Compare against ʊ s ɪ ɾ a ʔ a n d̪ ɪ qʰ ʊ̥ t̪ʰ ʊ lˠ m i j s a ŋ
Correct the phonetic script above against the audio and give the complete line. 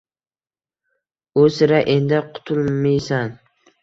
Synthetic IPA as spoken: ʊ s ɪ ɾ a ʔ e n d̪ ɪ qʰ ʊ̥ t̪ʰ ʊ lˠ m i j s a n